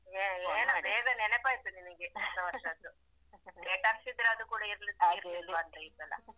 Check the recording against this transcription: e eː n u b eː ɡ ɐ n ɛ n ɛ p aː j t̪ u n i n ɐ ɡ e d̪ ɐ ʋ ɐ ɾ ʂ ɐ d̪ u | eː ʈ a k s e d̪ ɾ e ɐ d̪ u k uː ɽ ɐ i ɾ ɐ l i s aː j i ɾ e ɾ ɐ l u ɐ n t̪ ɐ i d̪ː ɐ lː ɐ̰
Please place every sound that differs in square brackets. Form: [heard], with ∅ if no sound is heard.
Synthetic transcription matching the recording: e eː n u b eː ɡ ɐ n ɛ n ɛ p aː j t̪ u n i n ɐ ɡ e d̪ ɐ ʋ ɐ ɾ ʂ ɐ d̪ u | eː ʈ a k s [i] d̪ ɾ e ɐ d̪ u k uː ɽ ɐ i ɾ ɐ l i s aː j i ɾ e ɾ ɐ l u ɐ n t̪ ɐ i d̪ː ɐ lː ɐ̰